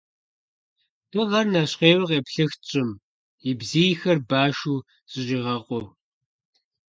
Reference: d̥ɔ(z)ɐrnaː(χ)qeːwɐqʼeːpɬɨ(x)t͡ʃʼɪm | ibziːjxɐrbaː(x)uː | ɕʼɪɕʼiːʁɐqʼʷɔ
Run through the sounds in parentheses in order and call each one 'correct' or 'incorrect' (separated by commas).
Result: incorrect, incorrect, correct, incorrect